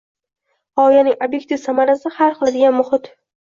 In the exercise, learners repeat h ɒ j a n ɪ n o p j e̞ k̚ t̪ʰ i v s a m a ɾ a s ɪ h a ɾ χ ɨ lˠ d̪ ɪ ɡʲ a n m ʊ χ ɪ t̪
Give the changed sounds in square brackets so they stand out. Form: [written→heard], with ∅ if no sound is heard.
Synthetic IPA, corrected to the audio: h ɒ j a n ɪ [n→ŋ] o [p→b] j e̞ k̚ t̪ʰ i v s a m a ɾ a s ɪ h a ɾ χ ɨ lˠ d̪ ɪ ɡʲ a n m ʊ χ ɪ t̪